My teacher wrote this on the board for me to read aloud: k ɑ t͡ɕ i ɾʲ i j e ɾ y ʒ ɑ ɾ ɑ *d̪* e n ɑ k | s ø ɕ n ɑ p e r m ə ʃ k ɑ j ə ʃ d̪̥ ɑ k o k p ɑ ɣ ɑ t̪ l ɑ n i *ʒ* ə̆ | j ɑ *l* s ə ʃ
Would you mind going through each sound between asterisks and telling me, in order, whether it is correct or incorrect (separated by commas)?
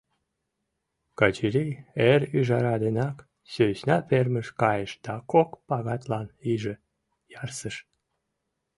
correct, correct, incorrect